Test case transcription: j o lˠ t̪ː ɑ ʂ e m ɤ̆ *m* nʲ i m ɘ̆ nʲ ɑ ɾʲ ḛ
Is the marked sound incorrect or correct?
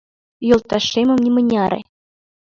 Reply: correct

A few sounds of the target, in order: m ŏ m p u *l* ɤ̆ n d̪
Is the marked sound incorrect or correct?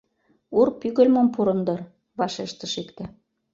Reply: incorrect: ɾ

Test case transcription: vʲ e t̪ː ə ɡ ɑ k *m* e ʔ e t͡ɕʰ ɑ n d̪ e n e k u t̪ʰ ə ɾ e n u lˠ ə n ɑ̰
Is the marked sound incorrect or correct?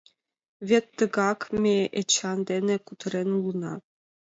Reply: correct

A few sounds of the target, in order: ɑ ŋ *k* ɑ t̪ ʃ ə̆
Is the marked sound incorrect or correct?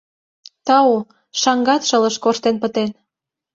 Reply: incorrect: ɡ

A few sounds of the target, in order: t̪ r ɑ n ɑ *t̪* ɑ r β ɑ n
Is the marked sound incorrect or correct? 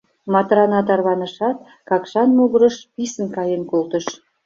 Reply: correct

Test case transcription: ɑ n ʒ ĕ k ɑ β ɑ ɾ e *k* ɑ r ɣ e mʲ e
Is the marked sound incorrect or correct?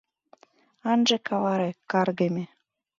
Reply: correct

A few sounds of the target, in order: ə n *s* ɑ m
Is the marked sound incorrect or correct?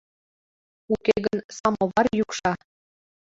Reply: correct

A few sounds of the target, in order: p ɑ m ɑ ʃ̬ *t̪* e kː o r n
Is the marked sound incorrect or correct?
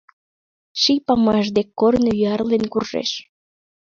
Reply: incorrect: d̪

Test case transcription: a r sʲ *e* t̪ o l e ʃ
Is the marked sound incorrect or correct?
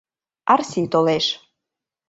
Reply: incorrect: i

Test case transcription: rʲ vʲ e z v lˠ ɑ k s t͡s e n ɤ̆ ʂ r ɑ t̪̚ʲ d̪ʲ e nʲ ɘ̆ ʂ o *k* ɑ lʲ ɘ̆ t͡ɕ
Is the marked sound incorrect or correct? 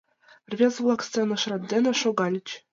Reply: incorrect: ɡ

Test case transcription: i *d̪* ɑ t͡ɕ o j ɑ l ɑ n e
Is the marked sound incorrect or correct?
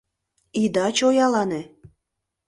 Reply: correct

